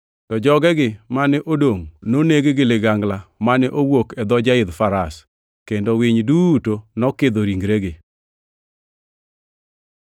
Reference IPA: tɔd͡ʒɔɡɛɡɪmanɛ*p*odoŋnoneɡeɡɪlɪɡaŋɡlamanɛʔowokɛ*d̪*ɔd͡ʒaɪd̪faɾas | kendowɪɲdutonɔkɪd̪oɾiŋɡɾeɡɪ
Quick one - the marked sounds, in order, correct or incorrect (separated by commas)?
incorrect, correct